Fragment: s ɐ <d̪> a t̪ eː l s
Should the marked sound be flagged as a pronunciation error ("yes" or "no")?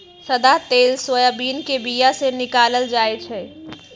no